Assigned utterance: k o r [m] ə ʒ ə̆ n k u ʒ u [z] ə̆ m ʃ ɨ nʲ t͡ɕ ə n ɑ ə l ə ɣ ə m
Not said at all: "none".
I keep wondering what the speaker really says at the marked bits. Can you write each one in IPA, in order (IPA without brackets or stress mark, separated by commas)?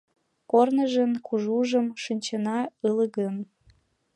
n, ʒ